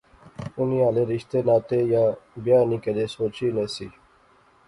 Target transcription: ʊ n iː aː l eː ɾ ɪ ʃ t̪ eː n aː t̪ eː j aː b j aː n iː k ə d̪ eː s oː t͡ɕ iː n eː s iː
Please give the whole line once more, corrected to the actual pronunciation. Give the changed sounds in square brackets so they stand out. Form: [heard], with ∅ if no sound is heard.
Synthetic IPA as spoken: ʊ n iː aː l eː ɾ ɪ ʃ t̪ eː n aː t̪ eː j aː b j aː n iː k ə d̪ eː s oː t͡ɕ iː n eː s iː